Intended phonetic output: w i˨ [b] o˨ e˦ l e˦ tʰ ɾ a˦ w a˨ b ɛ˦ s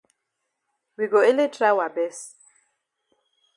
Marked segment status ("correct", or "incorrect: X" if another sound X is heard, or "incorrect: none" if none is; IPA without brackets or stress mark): incorrect: ɡ